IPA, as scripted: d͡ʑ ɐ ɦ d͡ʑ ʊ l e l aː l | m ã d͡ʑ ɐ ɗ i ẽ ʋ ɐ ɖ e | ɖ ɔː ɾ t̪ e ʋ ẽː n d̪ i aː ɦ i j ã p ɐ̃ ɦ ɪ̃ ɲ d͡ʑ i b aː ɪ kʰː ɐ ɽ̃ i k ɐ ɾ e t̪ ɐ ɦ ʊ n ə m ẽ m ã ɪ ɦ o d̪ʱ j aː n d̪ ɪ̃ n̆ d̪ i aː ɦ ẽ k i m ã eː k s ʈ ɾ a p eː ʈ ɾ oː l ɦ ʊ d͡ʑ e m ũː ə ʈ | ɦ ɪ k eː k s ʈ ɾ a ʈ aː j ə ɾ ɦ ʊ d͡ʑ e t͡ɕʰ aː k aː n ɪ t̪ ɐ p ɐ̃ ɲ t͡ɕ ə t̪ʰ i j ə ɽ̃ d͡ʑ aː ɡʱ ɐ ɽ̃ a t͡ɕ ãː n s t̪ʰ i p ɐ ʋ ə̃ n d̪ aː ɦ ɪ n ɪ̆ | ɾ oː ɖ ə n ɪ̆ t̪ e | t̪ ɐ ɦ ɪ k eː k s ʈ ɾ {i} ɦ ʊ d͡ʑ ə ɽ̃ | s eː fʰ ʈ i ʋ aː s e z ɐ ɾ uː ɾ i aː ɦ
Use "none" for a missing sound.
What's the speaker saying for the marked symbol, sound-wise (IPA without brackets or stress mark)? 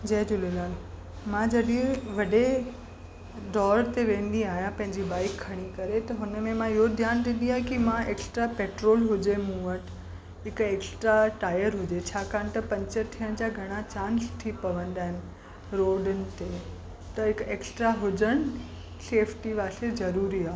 a